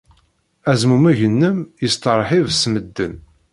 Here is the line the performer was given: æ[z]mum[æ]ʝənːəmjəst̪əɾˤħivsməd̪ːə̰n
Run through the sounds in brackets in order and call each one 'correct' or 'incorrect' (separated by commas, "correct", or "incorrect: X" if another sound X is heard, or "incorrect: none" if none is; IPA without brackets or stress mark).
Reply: correct, correct